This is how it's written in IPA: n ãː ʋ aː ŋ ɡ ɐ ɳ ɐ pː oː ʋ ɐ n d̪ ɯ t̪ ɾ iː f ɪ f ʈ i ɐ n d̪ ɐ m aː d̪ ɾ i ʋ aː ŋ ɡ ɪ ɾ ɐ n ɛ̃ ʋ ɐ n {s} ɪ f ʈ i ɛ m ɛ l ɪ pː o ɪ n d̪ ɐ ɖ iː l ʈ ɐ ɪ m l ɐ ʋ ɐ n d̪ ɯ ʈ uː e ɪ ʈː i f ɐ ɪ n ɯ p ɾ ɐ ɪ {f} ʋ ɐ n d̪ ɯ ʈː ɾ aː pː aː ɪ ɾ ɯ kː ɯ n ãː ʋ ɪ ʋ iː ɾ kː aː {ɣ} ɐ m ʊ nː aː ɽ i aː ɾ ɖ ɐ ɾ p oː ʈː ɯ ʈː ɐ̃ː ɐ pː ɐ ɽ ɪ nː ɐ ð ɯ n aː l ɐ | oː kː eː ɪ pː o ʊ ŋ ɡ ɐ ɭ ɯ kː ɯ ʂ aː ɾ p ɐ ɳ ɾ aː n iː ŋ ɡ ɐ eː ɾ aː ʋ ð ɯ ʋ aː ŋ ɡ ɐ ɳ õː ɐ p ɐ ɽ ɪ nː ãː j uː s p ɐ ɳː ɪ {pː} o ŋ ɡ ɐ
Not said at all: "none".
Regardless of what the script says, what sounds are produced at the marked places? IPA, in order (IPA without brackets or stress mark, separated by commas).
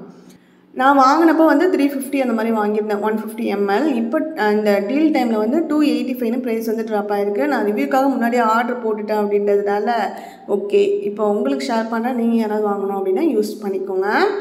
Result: f, s, ɣ, kː